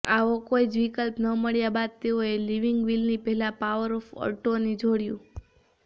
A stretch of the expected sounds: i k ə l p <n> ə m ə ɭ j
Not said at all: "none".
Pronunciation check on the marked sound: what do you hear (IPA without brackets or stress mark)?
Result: n